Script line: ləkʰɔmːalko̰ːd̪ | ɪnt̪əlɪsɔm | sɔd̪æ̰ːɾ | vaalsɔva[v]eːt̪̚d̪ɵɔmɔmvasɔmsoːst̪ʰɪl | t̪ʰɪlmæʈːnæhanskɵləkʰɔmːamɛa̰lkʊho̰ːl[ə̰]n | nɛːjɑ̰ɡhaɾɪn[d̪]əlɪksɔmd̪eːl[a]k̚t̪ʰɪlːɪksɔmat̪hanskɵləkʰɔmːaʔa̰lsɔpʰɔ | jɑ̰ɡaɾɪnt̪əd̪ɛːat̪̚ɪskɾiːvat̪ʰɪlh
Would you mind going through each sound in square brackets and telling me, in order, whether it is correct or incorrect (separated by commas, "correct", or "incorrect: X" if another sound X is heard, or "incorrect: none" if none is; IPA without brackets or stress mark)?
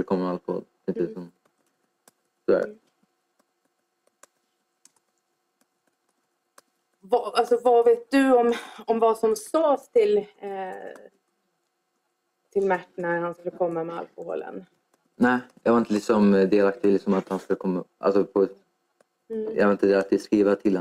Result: correct, correct, incorrect: t̪, correct